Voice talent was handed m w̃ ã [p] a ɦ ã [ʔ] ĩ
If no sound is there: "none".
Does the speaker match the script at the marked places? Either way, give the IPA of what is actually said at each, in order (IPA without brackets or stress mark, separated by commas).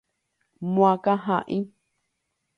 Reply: k, ʔ